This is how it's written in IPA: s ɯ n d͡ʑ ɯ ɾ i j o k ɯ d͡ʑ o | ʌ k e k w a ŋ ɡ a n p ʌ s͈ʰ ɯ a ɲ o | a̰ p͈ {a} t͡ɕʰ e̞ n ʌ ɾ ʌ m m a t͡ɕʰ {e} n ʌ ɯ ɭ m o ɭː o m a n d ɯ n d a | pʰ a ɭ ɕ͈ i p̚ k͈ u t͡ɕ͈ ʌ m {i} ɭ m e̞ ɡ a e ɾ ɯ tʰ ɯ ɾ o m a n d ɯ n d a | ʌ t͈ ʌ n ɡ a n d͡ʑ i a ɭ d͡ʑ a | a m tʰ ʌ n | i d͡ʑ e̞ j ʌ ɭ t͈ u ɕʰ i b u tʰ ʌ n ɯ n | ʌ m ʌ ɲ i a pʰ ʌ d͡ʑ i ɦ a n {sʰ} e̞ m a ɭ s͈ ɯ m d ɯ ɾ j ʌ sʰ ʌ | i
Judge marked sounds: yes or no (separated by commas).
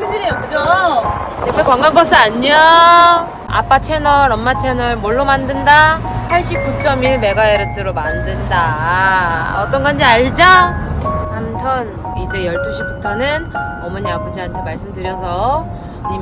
yes, yes, yes, no